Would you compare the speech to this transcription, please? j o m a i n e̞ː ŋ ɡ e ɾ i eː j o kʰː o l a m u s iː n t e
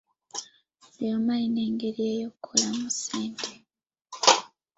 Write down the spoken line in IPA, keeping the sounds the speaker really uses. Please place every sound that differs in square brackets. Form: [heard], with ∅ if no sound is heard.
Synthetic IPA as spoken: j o m a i n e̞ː ŋ ɡ e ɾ i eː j o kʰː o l a m u s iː n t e

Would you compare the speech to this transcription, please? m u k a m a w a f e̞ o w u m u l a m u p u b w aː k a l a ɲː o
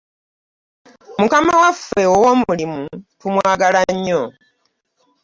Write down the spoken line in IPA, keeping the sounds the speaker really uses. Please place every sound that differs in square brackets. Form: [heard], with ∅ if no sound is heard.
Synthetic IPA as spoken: m u k a m a w a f e̞ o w [o] m u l [i] m u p u [m] w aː [ɡ] a l a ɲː o

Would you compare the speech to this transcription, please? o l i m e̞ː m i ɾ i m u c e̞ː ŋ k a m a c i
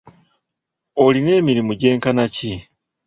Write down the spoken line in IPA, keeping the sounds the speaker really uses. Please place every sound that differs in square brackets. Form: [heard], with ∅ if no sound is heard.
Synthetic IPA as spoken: o l i [n] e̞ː m i ɾ i m u [ɟ] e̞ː ŋ k a [n] a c i

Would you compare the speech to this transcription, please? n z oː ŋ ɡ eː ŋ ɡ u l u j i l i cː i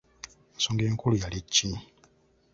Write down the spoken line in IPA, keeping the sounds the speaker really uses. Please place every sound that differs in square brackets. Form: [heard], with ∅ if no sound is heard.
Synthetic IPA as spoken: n [s] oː ŋ ɡ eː ŋ [k] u l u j [a] l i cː i

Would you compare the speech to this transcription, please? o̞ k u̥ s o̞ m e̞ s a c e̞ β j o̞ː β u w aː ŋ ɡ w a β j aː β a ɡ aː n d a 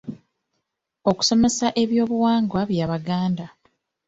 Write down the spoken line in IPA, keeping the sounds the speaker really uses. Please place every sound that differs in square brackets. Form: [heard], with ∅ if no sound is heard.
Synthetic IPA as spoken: o̞ k u̥ s o̞ m e̞ s a [ʔ] e̞ β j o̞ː β u w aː ŋ ɡ w a β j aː β a ɡ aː n d a

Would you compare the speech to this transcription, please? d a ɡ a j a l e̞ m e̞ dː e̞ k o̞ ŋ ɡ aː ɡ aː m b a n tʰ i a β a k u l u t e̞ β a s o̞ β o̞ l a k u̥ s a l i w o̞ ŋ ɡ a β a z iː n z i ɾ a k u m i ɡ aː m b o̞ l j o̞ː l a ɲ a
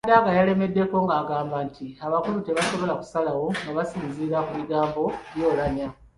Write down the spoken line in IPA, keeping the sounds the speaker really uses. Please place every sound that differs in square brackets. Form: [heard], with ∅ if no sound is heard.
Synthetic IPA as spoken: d a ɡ a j a l e̞ m e̞ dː e̞ k o̞ ŋ ɡ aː ɡ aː m b a n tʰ i a β a k u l u t e̞ β a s o̞ β o̞ l a k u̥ s a l [a] w o̞ ŋ ɡ a β a [s] iː n z i ɾ a k u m i ɡ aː m b o̞ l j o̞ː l a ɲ a

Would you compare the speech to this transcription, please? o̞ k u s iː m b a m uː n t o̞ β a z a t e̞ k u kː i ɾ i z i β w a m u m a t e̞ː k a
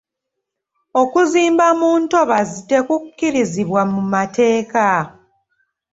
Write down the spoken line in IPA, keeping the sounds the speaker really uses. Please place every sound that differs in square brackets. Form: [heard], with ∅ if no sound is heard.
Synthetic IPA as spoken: o̞ k u [z] iː m b a m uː n t o̞ β a z [i] t e̞ k u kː i ɾ i z i β w a m u m a t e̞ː k a

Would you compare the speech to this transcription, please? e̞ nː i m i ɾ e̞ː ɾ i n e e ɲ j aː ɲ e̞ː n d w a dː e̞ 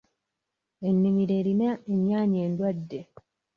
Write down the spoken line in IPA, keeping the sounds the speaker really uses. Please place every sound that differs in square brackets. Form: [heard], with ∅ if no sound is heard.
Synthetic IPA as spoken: e̞ nː i m i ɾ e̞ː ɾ i n [a] e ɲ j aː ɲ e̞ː n d w a dː e̞

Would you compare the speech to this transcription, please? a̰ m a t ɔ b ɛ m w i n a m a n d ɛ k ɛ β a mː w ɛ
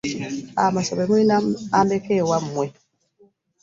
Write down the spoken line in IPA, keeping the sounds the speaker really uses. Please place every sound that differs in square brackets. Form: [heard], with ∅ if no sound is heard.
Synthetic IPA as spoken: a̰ m a [s] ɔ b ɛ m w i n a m a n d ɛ k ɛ [w] a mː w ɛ

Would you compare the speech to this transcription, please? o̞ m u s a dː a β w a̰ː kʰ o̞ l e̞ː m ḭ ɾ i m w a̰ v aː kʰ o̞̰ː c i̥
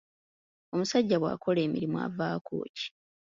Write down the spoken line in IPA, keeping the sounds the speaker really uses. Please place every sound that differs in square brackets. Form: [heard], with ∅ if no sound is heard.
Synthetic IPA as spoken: o̞ m u s a [ɟː] a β w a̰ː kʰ o̞ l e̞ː m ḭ ɾ i m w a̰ v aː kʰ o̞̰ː c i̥

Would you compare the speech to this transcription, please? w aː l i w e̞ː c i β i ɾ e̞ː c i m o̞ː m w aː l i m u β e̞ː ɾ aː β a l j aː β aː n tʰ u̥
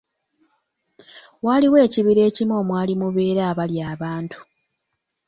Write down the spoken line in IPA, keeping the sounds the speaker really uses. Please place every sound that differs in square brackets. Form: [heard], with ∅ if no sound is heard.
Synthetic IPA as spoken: w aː l i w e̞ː c i β i ɾ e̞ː c i m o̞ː m w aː l i m u β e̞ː ɾ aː β a l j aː β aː n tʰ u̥

